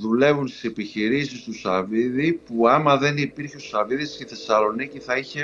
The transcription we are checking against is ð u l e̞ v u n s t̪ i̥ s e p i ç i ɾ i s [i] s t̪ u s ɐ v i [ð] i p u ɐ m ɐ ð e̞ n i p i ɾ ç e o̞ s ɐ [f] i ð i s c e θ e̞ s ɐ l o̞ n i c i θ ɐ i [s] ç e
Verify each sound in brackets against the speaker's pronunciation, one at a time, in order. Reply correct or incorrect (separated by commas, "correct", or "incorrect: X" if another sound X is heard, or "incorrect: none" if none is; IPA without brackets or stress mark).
correct, correct, incorrect: v, incorrect: none